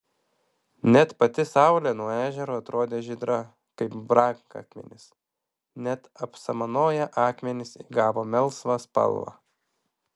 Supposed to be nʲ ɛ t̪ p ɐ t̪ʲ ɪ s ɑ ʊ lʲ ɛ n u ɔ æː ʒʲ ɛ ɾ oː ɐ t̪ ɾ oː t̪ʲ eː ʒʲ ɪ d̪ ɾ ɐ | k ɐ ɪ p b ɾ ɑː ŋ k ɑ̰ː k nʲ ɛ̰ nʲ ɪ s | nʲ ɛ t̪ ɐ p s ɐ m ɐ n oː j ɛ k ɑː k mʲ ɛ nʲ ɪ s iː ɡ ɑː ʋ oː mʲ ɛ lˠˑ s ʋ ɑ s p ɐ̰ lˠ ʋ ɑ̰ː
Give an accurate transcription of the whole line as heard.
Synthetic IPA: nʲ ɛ t̪ p ɐ t̪ʲ ɪ s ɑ ʊ lʲ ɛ n u ɔ æː ʒʲ ɛ ɾ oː ɐ t̪ ɾ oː d̪ʲ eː ʒʲ ɪ d̪ ɾ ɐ | k ɐ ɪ p b ɾ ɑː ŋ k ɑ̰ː k mʲ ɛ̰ nʲ ɪ s | nʲ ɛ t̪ ɐ p s ɐ m ɐ n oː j ɛ ʔ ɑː k mʲ ɛ nʲ ɪ s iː ɡ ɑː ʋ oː mʲ ɛ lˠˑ s ʋ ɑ s p ɐ̰ lˠ ʋ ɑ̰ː